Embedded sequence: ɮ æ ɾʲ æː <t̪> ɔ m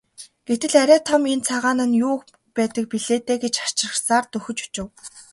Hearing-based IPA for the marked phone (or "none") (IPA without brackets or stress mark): t̪ʰ